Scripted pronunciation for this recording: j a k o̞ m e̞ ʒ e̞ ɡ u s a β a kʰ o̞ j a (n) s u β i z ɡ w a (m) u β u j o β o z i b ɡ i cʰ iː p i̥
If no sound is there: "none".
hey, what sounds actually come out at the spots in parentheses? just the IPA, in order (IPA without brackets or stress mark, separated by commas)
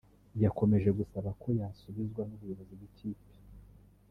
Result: none, n